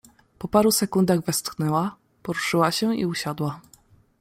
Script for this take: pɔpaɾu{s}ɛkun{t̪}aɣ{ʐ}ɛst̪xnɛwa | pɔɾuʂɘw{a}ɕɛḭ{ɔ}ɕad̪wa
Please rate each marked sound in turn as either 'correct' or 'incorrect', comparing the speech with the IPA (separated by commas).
correct, incorrect, incorrect, correct, incorrect